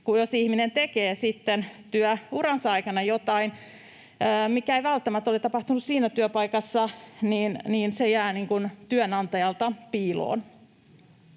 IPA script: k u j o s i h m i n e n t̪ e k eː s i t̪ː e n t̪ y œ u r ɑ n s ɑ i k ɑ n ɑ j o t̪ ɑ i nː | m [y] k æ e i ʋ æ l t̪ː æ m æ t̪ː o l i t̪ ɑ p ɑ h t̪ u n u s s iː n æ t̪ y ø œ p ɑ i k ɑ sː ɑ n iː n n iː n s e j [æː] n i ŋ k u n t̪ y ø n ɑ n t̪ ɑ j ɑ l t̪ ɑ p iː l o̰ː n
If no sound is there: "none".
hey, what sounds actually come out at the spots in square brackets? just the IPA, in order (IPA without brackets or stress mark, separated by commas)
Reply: i, æː